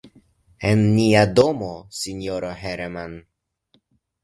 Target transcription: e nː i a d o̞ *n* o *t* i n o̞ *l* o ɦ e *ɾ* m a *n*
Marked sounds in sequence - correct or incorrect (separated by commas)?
incorrect, incorrect, incorrect, correct, correct